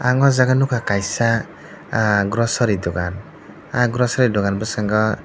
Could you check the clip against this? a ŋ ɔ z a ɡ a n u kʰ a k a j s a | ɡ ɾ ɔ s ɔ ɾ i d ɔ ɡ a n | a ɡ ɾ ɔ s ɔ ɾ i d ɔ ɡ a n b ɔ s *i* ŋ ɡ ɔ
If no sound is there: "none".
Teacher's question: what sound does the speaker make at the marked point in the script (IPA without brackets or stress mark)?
a